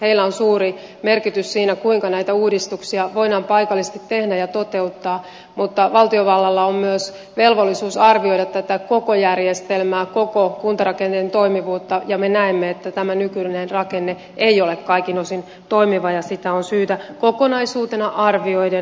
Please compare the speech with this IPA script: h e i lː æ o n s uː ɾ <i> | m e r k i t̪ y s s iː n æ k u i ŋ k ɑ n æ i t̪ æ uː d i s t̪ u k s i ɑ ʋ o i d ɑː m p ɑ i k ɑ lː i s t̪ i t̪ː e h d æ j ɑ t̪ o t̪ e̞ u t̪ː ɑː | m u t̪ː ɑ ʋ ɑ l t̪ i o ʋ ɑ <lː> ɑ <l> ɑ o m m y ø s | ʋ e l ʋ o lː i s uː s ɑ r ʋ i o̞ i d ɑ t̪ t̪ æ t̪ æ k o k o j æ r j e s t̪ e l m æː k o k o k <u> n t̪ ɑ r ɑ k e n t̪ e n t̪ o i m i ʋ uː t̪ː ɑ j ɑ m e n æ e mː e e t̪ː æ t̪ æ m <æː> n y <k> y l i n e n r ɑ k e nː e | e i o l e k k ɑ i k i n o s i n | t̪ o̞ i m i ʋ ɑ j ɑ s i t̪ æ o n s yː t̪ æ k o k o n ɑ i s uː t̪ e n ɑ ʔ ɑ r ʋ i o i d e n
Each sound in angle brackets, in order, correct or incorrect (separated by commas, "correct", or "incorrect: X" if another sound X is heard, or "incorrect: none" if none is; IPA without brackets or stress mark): correct, correct, incorrect: lː, correct, incorrect: æ, correct